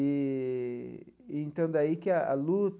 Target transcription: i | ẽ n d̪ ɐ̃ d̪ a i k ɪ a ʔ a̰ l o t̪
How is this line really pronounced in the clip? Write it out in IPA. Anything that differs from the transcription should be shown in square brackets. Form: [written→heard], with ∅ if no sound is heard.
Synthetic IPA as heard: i | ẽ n [d̪→t̪] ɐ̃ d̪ a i k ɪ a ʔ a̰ l [o→u] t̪